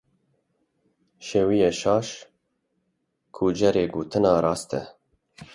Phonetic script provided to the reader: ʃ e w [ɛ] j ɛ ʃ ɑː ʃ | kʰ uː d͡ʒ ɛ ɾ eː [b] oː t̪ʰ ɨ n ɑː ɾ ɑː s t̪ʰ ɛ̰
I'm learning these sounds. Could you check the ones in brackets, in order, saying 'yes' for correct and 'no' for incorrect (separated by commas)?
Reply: no, no